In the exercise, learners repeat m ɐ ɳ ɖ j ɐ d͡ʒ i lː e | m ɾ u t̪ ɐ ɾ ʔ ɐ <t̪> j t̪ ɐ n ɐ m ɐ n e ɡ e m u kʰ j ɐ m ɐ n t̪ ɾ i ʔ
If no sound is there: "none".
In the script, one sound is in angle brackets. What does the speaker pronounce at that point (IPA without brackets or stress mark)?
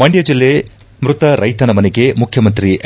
none